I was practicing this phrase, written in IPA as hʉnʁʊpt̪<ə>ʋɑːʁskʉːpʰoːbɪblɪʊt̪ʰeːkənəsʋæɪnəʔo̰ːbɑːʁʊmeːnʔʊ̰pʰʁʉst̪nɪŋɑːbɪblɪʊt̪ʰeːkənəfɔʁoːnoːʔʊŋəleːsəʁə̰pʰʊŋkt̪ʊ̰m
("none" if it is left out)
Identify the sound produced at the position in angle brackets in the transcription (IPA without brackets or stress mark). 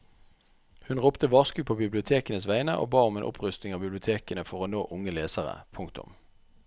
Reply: ə